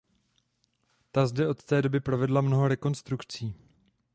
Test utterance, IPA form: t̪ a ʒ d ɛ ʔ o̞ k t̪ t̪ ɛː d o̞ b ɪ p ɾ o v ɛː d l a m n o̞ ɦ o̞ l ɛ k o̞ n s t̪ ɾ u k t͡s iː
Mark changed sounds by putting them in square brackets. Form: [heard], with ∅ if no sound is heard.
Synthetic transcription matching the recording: t̪ a [z] d ɛ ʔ o̞ [∅] t̪ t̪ ɛː d o̞ b ɪ p ɾ o v [ɛ] d l a m n o̞ ɦ o̞ [ɾ] ɛ k o̞ n s t̪ ɾ u k t͡s iː